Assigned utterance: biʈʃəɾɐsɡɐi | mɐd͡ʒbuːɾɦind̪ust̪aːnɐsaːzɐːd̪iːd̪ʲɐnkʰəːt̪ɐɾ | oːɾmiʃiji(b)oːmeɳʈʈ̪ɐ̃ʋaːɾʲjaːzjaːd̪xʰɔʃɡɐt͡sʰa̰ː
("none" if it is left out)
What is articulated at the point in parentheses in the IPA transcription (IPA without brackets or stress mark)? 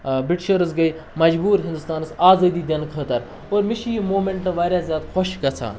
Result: m